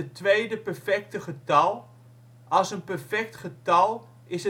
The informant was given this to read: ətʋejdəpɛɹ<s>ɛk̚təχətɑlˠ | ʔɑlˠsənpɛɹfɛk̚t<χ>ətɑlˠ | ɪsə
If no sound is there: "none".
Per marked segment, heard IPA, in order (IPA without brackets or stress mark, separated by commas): f, χ